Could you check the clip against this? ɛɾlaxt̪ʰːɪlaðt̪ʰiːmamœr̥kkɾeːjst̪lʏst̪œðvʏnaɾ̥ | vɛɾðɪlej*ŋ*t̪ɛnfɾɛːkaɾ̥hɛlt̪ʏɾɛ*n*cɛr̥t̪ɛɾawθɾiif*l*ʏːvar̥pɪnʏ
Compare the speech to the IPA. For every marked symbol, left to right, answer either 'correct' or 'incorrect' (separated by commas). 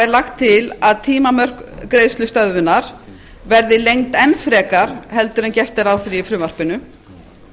correct, correct, incorrect